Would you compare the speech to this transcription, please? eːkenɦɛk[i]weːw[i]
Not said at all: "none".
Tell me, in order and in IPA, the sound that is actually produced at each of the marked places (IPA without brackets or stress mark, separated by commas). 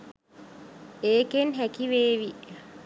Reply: i, i